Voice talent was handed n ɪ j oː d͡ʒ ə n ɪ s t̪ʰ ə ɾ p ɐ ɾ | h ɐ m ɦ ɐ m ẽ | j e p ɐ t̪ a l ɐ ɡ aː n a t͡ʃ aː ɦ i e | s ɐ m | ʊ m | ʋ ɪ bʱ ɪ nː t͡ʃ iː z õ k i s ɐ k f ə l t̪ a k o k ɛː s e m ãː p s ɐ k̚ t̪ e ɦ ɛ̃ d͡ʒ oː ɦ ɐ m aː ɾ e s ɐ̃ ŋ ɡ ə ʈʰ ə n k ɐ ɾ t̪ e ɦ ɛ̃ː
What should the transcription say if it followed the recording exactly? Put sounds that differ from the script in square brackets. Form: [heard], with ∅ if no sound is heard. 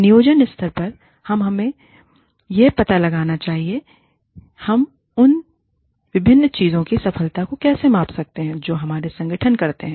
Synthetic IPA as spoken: n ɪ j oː d͡ʒ ə n ɪ s t̪ʰ ə ɾ p ɐ ɾ | h ɐ m ɦ ɐ m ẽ | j e p ɐ t̪ a l ɐ ɡ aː n a t͡ʃ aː ɦ i e | [h] ɐ m | ʊ [n] | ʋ ɪ bʱ ɪ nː t͡ʃ iː z õ k i s ɐ [∅] f ə l t̪ a k o k ɛː s e m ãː p s ɐ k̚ t̪ e ɦ ɛ̃ d͡ʒ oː ɦ ɐ m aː ɾ e s ɐ̃ ŋ ɡ ə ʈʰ ə n k ɐ ɾ t̪ e ɦ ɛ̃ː